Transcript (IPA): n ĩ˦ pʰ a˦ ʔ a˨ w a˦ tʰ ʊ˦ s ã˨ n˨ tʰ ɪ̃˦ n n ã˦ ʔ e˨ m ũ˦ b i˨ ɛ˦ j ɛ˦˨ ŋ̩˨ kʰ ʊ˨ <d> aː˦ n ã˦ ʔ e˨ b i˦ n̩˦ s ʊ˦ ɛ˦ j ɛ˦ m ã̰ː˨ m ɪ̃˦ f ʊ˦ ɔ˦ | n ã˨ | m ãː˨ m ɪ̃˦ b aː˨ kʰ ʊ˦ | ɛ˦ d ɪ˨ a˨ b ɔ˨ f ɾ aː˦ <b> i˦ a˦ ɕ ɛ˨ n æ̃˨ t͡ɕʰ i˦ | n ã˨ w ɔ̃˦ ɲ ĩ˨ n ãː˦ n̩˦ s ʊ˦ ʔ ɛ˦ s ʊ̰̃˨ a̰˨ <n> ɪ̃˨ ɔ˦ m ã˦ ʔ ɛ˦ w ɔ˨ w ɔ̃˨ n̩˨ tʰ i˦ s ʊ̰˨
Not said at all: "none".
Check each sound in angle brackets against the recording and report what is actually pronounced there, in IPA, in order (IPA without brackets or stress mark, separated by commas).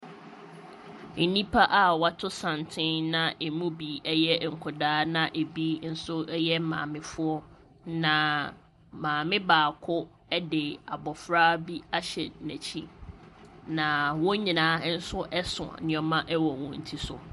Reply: d, b, n